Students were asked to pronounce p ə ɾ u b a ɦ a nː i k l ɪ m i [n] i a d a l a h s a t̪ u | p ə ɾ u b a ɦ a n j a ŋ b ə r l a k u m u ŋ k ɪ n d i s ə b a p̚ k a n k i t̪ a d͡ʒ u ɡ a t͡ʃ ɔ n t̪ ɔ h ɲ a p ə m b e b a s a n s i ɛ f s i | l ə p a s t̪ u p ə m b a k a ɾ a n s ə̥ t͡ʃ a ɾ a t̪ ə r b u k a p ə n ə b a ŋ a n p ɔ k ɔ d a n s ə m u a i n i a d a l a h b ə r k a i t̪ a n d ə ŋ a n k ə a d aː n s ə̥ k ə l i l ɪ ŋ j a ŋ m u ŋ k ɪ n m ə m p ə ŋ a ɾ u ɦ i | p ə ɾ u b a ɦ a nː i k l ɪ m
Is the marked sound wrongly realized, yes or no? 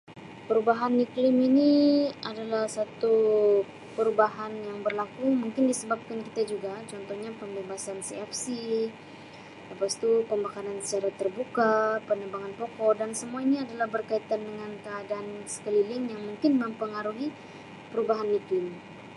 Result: no